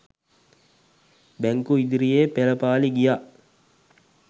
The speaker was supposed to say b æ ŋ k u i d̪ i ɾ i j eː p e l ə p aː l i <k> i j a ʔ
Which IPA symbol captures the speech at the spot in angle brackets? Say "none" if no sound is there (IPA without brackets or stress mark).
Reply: ɡ